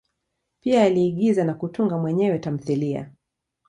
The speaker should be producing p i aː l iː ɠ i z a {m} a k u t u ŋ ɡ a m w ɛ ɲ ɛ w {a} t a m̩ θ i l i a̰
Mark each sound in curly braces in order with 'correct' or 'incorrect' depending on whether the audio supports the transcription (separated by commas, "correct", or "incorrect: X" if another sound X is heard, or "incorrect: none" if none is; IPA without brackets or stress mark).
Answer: incorrect: n, incorrect: ɛ